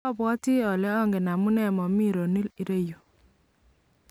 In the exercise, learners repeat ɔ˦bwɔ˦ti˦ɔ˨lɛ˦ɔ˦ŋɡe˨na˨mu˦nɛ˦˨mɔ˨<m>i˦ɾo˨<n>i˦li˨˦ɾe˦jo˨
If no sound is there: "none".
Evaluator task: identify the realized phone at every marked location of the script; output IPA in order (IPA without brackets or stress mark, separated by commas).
m, n